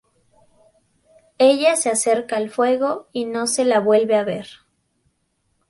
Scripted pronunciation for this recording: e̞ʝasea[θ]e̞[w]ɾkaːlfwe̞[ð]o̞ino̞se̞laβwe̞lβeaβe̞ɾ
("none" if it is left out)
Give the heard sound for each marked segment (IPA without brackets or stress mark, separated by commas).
s, none, ɣ